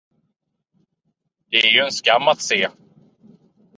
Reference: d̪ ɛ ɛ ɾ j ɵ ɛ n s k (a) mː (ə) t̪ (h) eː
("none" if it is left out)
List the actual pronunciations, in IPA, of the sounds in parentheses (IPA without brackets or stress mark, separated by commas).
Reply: a, a, s